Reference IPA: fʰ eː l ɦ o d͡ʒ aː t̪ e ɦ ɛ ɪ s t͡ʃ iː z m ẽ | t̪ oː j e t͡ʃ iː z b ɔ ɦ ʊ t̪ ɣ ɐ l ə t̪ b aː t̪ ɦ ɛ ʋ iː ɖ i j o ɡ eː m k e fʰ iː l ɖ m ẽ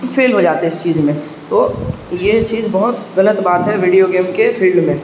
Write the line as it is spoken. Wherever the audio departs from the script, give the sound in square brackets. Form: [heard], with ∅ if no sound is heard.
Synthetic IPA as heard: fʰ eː l ɦ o d͡ʒ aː t̪ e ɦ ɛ ɪ s t͡ʃ iː z m ẽ | t̪ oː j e t͡ʃ iː z b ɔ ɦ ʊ t̪ ɣ ɐ l ə t̪ b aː t̪ ɦ ɛ ʋ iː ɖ i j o ɡ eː m k e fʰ iː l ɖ m ẽ

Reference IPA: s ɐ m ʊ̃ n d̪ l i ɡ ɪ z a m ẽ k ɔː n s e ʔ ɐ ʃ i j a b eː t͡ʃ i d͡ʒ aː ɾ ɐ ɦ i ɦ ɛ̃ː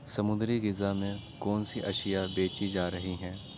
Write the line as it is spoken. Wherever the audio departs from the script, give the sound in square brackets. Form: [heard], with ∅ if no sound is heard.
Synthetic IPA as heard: s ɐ m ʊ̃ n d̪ [ɾ] i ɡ ɪ z a m ẽ k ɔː n s [i] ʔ ɐ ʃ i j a b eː t͡ʃ i d͡ʒ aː ɾ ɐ ɦ i ɦ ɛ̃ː

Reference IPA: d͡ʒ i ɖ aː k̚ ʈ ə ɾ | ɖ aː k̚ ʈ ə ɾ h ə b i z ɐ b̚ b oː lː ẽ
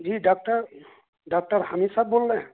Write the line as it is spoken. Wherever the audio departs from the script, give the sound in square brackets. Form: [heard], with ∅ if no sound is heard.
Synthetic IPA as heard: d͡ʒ i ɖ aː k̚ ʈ ə ɾ | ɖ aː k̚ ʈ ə ɾ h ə [m] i [s] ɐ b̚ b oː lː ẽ

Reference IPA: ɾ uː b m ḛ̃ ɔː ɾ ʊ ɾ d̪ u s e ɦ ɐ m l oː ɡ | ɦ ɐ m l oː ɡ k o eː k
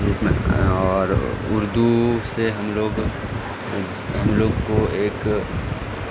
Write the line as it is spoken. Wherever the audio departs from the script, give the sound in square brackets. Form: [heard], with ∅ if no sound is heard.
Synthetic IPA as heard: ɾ uː [p] m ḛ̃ ɔː ɾ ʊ ɾ d̪ u s e ɦ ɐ m l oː ɡ | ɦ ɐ m l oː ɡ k o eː k

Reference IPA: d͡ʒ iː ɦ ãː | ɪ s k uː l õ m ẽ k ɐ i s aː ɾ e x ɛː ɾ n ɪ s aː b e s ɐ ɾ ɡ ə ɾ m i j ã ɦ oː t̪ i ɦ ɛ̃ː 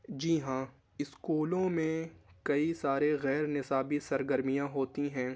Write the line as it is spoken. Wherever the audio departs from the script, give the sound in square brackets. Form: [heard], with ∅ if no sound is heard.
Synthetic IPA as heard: d͡ʒ iː ɦ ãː | ɪ s k uː l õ m ẽ k ɐ i s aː ɾ e [ɣ] ɛː ɾ n ɪ s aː b [i] s ɐ ɾ ɡ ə ɾ m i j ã ɦ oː t̪ i ɦ ɛ̃ː

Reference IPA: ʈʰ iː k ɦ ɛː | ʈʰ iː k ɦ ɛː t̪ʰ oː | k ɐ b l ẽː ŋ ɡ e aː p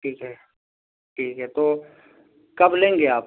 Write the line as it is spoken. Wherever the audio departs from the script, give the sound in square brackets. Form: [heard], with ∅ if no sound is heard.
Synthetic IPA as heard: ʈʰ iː k ɦ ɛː | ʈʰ iː k ɦ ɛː [t̪] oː | k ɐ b l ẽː ŋ ɡ e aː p

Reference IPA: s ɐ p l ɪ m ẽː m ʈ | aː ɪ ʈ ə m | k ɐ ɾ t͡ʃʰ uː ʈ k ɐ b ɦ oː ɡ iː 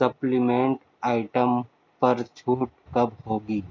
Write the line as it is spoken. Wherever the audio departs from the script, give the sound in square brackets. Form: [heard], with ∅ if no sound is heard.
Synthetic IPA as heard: s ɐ p l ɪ m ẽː [ɳ] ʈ | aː ɪ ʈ ə m | [p] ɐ ɾ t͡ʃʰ uː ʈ k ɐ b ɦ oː ɡ iː

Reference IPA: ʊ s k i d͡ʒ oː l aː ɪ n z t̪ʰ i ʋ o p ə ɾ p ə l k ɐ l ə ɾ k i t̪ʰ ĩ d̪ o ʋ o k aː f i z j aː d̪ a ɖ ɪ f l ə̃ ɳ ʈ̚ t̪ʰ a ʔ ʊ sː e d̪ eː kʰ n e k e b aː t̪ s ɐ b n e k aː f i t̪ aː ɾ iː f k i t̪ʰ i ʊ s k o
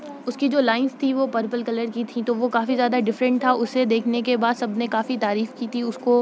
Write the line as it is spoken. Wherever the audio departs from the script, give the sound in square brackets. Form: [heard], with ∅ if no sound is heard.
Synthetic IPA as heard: ʊ s k i d͡ʒ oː l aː ɪ n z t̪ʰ i ʋ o p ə ɾ p ə l k ɐ l ə ɾ k i t̪ʰ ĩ [t̪] o ʋ o k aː f i z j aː d̪ a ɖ ɪ f [ɾ] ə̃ ɳ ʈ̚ t̪ʰ a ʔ ʊ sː e d̪ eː kʰ n e k e b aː [d̪] s ɐ b n e k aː f i t̪ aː ɾ iː f k i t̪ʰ i ʊ s k o

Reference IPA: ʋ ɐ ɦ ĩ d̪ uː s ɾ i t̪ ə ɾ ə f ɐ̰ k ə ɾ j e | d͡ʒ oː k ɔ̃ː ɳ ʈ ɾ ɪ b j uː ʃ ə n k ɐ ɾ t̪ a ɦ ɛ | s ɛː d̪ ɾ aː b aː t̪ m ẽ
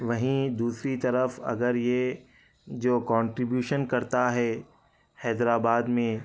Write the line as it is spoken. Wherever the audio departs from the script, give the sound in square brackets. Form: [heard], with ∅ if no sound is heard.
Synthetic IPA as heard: ʋ ɐ ɦ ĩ d̪ uː s ɾ i t̪ [ɐ] ɾ ə f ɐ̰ [ɡ] ə ɾ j e | d͡ʒ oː k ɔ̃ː ɳ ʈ ɾ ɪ b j uː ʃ ə n k ɐ ɾ t̪ a ɦ ɛ | [h] ɛː d̪ ɾ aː b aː [d̪] m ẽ

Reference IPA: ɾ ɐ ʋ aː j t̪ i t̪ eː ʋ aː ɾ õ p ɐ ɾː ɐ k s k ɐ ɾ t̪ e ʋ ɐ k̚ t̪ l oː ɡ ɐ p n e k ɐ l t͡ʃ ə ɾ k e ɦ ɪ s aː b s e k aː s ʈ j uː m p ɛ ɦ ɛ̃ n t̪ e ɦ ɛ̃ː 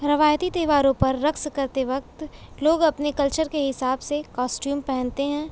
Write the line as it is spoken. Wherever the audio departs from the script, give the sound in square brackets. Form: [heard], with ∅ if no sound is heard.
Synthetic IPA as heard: ɾ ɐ ʋ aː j t̪ i t̪ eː ʋ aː ɾ õ p ɐ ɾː ɐ k s k ɐ ɾ t̪ e ʋ ɐ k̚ t̪ l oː ɡ ɐ p n e k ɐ l t͡ʃ ə ɾ k e ɦ ɪ s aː b s e k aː s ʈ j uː m p ɛ ɦ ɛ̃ n t̪ e ɦ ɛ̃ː

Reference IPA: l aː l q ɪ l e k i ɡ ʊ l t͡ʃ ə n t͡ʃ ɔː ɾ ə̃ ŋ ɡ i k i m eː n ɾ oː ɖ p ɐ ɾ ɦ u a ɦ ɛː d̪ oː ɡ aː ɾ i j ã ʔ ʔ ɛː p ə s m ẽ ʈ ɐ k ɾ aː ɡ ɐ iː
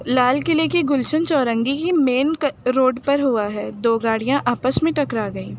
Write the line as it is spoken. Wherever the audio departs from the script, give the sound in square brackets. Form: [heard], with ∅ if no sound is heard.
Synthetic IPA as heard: l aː l [k] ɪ l e k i ɡ ʊ l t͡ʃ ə n t͡ʃ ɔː ɾ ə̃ ŋ ɡ i k i m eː n ɾ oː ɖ p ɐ ɾ ɦ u a ɦ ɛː d̪ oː ɡ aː [ɽ] i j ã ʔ ʔ [aː] p ə s m ẽ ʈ ɐ k ɾ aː ɡ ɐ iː

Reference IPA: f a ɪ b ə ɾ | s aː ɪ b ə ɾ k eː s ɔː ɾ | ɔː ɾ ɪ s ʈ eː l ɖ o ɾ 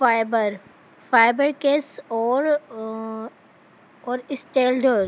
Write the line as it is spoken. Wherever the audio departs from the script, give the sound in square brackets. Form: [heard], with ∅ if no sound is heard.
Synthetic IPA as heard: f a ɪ b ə ɾ | [f] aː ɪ b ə ɾ k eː s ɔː ɾ | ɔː ɾ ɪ s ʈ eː l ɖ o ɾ

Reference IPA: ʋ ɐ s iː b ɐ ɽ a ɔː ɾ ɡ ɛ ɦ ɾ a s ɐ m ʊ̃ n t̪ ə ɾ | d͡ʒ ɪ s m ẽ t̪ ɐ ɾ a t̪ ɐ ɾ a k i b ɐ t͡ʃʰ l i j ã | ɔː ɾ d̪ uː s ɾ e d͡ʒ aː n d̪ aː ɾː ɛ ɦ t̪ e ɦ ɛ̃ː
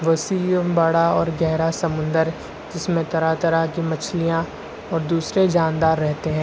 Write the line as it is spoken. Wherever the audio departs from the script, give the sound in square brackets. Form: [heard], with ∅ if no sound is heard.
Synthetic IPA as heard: ʋ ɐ s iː b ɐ ɽ a ɔː ɾ ɡ ɛ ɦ ɾ a s ɐ m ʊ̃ n [d̪] ə ɾ | d͡ʒ ɪ s m ẽ t̪ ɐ ɾ a t̪ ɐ ɾ a k i [m] ɐ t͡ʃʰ l i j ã | ɔː ɾ d̪ uː s ɾ e d͡ʒ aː n d̪ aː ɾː ɛ ɦ t̪ e ɦ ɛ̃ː

